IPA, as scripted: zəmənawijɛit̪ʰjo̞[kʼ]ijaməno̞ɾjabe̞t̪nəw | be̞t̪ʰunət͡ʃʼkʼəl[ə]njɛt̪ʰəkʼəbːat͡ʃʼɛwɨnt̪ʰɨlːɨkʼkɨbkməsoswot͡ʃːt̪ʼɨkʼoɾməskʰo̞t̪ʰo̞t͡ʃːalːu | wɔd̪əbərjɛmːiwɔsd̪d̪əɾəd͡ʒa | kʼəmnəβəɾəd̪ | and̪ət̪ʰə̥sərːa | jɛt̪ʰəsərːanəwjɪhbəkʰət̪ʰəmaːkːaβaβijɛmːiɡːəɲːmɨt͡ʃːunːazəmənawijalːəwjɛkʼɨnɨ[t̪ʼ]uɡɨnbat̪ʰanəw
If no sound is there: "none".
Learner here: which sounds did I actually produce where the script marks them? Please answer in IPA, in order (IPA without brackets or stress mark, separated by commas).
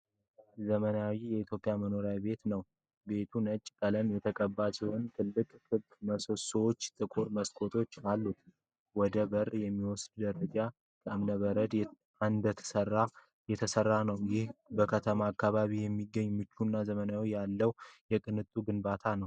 pʼ, ə, t̪ʼ